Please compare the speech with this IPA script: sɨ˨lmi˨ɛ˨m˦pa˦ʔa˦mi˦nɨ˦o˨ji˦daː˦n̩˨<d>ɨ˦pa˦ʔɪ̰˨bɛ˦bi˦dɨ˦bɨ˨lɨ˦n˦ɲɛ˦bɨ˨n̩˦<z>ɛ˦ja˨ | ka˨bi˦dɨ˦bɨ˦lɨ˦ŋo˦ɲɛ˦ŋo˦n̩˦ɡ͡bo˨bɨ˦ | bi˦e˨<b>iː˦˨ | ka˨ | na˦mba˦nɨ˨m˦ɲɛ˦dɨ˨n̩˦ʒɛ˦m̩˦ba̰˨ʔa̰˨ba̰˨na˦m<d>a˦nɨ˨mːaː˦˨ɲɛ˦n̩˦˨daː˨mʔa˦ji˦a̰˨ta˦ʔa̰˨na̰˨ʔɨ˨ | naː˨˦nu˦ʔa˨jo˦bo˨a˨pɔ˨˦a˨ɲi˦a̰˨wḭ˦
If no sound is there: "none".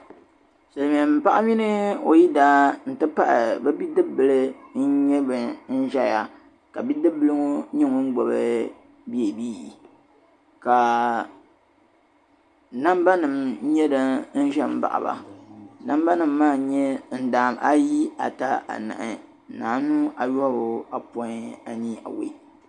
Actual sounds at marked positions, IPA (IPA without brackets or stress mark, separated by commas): t, ʒ, b, b